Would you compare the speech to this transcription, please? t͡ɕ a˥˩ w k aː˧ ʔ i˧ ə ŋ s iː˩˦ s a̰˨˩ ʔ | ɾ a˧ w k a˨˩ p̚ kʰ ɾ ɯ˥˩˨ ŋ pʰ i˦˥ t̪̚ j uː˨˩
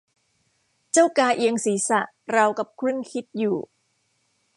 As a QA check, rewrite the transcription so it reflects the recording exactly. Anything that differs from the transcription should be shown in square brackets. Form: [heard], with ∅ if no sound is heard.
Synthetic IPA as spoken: t͡ɕ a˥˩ w k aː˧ ʔ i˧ ə ŋ s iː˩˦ s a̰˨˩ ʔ | ɾ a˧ w k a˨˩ p̚ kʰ ɾ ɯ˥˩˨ ŋ [kʰ] i˦˥ t̪̚ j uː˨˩